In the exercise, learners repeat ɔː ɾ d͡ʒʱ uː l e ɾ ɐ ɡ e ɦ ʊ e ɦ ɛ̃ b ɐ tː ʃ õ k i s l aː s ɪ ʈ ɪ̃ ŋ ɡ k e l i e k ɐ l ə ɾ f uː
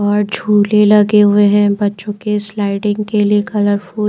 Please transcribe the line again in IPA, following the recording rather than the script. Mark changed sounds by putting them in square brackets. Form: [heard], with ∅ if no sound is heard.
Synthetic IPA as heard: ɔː ɾ d͡ʒʱ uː l e [l] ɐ ɡ e ɦ ʊ e ɦ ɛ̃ b ɐ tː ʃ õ k [e] s l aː [∅] ɪ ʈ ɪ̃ ŋ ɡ k e l i e k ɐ l ə ɾ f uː